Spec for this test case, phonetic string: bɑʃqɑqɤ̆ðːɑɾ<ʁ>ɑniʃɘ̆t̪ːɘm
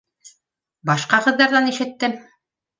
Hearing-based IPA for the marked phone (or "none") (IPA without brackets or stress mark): ð